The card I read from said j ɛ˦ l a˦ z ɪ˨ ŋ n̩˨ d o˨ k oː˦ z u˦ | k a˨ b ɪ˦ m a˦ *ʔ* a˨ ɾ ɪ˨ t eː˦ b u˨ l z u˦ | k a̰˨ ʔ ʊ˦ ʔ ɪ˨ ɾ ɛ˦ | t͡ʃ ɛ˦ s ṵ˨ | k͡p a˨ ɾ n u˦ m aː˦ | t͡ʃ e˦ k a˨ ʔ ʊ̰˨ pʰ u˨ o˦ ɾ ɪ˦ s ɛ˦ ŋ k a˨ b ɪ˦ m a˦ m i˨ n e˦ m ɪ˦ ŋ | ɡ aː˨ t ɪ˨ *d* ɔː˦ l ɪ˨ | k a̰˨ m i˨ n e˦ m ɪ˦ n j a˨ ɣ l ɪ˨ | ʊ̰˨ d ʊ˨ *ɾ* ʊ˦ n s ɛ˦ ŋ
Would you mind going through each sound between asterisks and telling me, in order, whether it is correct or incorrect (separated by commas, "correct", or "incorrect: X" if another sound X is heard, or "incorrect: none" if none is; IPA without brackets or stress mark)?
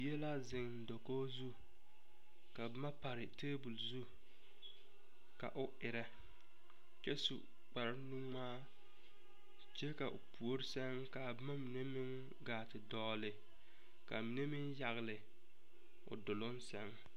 incorrect: p, correct, incorrect: l